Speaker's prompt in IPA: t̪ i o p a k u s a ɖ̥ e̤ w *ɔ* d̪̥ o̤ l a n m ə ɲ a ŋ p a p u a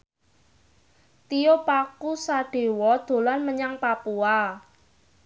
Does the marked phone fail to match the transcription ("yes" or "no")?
no